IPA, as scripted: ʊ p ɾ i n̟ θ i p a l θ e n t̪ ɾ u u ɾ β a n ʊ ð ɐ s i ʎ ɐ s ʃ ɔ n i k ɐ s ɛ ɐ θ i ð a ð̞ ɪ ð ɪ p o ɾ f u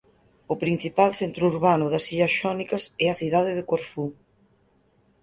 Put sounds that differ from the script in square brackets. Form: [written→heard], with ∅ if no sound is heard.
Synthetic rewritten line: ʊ p ɾ i n̟ θ i p a l θ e n t̪ ɾ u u ɾ β a n ʊ ð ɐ s i ʎ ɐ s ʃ ɔ n i k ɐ s ɛ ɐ θ i ð a ð̞ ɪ ð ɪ [p→k] o ɾ f u